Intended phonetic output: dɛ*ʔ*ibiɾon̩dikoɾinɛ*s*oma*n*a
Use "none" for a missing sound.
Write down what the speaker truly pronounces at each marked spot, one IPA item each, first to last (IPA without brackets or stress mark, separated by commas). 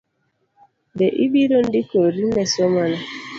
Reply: ʔ, s, n